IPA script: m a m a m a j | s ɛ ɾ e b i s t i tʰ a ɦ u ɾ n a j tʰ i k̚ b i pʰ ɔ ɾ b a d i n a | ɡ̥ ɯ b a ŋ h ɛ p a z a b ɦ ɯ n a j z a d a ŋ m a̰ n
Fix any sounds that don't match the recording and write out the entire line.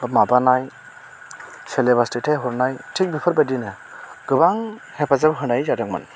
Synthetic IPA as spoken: m a b a n a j | s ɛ l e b a s t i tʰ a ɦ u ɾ n a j tʰ i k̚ b i pʰ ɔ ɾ b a d i n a | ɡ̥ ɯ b a ŋ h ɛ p a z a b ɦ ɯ n a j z a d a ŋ m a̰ n